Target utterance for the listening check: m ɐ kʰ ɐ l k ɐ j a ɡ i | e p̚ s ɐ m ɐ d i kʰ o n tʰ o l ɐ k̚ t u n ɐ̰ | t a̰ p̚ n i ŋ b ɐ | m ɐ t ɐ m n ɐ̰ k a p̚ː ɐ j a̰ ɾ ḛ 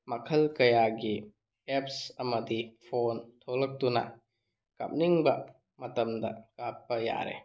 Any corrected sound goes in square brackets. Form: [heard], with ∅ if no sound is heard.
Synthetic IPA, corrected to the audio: m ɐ kʰ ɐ l k ɐ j a ɡ i | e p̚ s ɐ m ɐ d i [pʰ] o n tʰ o l ɐ k̚ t u n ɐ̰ | [k] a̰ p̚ n i ŋ b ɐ | m ɐ t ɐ m [d] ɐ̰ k a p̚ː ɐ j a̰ ɾ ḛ

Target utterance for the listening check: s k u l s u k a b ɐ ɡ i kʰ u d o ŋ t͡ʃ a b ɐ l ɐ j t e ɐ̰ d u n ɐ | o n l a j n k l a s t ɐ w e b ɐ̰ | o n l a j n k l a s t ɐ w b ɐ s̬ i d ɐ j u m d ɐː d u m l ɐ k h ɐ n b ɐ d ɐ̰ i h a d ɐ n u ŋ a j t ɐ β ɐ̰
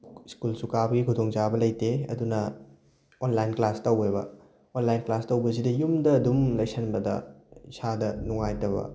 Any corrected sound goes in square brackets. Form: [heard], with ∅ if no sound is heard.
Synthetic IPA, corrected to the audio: s k u l s u k a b ɐ ɡ i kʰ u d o ŋ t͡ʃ a b ɐ l ɐ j t e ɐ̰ d u n ɐ | o n l a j n k l a s t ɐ w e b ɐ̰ | o n l a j n k l a s t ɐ w b ɐ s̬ i d ɐ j u m d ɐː d u m l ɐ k [s] ɐ n b ɐ d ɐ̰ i [s] a d ɐ n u ŋ a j t ɐ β ɐ̰

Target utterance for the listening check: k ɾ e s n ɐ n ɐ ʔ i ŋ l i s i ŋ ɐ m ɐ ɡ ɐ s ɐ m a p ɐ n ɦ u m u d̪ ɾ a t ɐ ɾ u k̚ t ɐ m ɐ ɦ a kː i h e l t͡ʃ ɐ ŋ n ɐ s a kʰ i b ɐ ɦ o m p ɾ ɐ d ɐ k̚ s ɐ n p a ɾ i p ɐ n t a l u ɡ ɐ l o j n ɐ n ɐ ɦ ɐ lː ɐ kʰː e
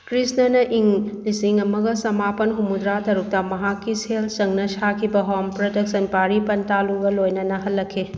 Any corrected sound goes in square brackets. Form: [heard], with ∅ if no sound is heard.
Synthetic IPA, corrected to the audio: k ɾ [i] s n ɐ n ɐ ʔ i ŋ l i s i ŋ ɐ m ɐ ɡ ɐ s ɐ m a p ɐ n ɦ u m u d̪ ɾ a t ɐ ɾ u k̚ t ɐ m ɐ ɦ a kː i [s] e l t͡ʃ ɐ ŋ n ɐ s a kʰ i b ɐ ɦ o m p ɾ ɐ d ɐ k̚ s ɐ n p a ɾ i p ɐ n t a l u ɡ ɐ l o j n ɐ n ɐ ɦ ɐ lː ɐ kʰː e

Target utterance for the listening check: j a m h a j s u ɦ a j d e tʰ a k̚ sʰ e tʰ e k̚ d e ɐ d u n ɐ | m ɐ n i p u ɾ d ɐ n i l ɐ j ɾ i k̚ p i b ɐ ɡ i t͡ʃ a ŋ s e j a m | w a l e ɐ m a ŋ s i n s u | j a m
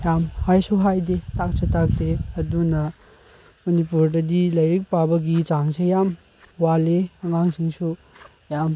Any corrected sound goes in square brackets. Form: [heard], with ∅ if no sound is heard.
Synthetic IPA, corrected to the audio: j a m h a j s u ɦ a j d e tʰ a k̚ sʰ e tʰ [a] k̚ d e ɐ d u n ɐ | m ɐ n i p u ɾ d ɐ [d] i l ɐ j ɾ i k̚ p [a] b ɐ ɡ i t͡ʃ a ŋ s e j a m | w a l e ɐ [ŋ] a ŋ s i [ŋ] s u | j a m

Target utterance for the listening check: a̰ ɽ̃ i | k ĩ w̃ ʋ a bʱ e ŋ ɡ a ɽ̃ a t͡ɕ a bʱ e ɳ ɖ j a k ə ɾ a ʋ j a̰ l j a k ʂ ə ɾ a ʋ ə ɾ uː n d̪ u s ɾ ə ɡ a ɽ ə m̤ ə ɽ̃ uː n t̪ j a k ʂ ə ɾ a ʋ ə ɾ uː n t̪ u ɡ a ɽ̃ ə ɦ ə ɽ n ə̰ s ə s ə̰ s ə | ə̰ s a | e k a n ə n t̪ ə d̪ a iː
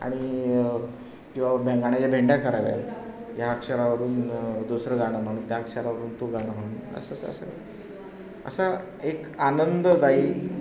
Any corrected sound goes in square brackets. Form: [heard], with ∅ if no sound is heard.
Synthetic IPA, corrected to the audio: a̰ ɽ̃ i | k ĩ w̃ ʋ a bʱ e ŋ ɡ a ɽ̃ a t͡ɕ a bʱ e ɳ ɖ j a k ə ɾ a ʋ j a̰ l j a k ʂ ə ɾ a ʋ ə ɾ uː n d̪ u s ɾ ə ɡ a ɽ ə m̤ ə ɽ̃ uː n t̪ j a k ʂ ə ɾ a ʋ ə ɾ uː n t̪ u ɡ a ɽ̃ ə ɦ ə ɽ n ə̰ s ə s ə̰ s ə | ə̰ s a | e k a n ə n [d̪] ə d̪ a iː

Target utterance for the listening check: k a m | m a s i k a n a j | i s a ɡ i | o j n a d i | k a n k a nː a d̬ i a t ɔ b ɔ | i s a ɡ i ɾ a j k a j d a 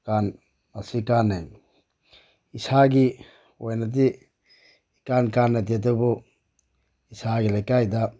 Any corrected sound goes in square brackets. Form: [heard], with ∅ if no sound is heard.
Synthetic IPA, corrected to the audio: k a [n] | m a s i k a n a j | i s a ɡ i | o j n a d i | k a n k a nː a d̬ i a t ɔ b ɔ | i s a ɡ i [l] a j k a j d a

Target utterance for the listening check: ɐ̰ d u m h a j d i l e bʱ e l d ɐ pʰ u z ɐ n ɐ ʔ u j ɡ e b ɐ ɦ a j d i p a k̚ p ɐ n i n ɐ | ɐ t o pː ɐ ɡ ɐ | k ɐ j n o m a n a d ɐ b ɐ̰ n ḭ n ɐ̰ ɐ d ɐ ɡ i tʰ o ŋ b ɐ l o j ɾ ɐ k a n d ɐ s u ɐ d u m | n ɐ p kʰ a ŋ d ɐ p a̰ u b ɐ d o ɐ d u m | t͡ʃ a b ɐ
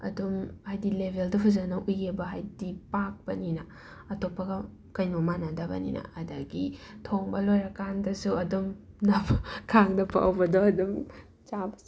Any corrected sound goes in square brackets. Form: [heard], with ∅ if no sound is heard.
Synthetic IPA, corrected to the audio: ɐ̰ d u m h a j d i l e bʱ e l d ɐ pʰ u z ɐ n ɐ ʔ u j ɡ e b ɐ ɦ a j d i p a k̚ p ɐ n i n ɐ | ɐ t o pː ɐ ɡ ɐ | k ɐ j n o m a n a d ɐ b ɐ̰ n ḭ n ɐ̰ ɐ d ɐ ɡ i tʰ o ŋ b ɐ l o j ɾ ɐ k a n d ɐ s u ɐ d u m | n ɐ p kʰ a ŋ d ɐ p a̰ [w] b ɐ d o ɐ d u m | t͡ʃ a b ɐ

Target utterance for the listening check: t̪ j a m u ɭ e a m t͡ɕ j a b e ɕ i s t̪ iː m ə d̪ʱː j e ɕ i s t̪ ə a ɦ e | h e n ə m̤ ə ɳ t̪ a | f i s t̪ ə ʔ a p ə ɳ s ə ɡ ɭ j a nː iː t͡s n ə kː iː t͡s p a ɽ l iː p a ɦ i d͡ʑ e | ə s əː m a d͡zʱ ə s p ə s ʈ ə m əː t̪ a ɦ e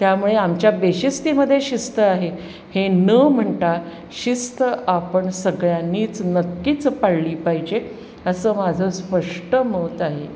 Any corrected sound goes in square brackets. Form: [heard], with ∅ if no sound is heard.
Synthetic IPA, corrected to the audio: t̪ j a m u ɭ e a m t͡ɕ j a b e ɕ i s t̪ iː m ə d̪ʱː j e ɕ i s t̪ ə a ɦ e | h e n ə m̤ ə ɳ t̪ a | [ɕ] i s t̪ ə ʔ a p ə ɳ s ə ɡ ɭ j a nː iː t͡s n ə kː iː t͡s p a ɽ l iː p a ɦ i d͡ʑ e | ə s əː m a d͡zʱ ə s p ə [ʂ] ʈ ə m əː t̪ a ɦ e

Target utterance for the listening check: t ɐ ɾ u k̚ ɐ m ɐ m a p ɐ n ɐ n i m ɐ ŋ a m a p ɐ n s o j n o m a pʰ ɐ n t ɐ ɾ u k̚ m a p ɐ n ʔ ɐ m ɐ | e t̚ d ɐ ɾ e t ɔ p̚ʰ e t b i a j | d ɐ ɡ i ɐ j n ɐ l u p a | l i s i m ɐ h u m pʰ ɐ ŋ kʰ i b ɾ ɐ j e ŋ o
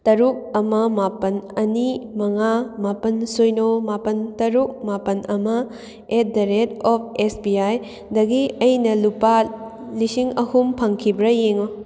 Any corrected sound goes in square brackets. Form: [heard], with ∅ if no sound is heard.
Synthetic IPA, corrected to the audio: t ɐ ɾ u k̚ ɐ m ɐ m a p ɐ n ɐ n i m ɐ ŋ a m a p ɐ n s o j n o m a [p] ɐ n t ɐ ɾ u k̚ m a p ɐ n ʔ ɐ m ɐ | e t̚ d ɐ ɾ e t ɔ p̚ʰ e [s] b i a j | d ɐ ɡ i ɐ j n ɐ l u p a | l i s i [ŋ] ɐ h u m pʰ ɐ ŋ kʰ i b ɾ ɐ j e ŋ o

